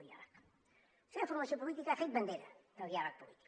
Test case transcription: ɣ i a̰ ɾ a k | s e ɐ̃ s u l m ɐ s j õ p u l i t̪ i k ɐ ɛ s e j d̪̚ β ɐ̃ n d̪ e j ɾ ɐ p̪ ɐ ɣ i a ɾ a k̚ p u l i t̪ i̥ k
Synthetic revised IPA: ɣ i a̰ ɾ a k | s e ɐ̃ f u ɾ m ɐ s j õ p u l i t̪ i k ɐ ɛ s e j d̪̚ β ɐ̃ n d̪ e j ɾ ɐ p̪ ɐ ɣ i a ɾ a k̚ p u l i t̪ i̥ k